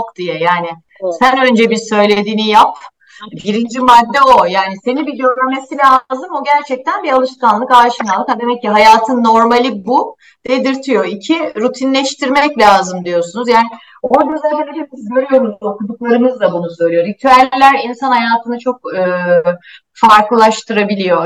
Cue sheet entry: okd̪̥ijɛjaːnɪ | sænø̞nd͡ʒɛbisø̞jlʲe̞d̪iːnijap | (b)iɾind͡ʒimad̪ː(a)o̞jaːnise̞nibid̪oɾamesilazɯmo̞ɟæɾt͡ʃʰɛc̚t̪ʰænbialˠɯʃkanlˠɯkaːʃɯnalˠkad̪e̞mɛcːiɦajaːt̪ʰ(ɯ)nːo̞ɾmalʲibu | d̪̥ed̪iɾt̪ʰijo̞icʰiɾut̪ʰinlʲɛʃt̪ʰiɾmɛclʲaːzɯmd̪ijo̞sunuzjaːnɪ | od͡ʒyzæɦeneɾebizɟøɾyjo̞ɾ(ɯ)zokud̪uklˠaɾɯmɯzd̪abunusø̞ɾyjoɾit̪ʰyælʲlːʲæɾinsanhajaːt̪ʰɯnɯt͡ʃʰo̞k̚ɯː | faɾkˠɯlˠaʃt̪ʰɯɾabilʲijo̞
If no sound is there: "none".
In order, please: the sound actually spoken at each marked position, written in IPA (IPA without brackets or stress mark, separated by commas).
b, ɛ, ɯ, u